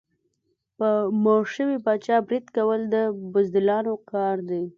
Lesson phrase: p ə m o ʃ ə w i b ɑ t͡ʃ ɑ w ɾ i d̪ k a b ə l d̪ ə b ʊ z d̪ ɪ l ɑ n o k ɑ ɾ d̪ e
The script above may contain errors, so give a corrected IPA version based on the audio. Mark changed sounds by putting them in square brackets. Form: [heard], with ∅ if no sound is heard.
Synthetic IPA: p ə m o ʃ ə w i b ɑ t͡ʃ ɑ [b] ɾ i d̪ k a [w] ə l d̪ ə b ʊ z d̪ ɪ l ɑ n o k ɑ ɾ d̪ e